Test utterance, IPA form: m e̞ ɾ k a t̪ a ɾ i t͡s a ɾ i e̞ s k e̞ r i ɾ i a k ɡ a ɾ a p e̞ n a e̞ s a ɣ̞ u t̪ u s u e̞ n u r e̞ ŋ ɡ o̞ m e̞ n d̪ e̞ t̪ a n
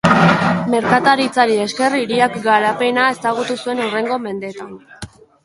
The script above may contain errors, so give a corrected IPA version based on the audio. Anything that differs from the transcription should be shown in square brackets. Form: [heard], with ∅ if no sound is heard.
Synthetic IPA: m e̞ ɾ k a t̪ a ɾ i t͡s a ɾ i e̞ s k e̞ r i ɾ i a k ɡ a ɾ a p e̞ n a e̞ s a ɣ̞ u t̪ u s u e̞ n u r e̞ ŋ ɡ o̞ m e̞ n d̪ e̞ t̪ a n